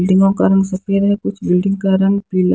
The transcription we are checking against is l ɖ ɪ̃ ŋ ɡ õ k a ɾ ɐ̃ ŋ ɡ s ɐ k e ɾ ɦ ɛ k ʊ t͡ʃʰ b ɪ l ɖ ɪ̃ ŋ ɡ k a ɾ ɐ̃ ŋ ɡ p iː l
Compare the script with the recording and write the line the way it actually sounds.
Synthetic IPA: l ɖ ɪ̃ ŋ ɡ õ k a ɾ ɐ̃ ŋ ɡ s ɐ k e ɾ ɦ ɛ k ʊ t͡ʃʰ b ɪ l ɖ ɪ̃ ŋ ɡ k a ɾ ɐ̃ ŋ ɡ p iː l